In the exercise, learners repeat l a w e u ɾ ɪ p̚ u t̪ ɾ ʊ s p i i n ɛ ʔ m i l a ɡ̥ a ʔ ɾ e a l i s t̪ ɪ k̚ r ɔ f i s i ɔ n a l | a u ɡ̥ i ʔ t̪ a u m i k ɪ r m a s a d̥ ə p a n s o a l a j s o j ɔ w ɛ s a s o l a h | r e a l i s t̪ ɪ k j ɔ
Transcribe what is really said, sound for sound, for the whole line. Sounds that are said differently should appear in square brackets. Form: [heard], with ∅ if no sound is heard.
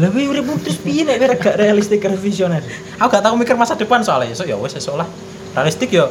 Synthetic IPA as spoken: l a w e u ɾ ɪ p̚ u t̪ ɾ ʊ s p i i n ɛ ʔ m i [ɾ] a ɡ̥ a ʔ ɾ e a l i s t̪ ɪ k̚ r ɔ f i s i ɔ n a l | a u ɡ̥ [a] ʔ t̪ a u m i k ɪ r m a s a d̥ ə p a n s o a l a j s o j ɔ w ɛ s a s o l a h | r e a l i s t̪ ɪ k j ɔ